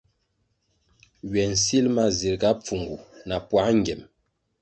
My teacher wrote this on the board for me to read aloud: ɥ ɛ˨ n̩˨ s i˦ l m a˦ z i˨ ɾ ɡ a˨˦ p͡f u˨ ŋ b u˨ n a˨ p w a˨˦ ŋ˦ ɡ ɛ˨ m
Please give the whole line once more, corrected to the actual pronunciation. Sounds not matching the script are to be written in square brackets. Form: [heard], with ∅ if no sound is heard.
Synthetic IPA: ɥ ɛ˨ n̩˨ s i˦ l m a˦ z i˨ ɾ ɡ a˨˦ p͡f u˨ ŋ [ɡ] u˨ n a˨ p w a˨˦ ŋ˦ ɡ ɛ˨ m